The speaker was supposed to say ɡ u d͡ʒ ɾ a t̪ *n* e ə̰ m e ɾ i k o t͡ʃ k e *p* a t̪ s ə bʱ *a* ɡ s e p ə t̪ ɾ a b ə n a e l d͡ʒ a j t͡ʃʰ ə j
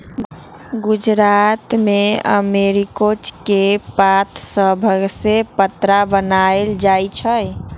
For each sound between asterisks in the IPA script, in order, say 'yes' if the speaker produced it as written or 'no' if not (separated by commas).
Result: no, yes, no